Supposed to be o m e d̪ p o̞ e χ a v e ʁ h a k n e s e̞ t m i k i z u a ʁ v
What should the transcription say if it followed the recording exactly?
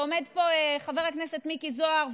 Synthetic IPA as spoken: o m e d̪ p o̞ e χ a v e ʁ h a k n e s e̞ t m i k i z o a ʁ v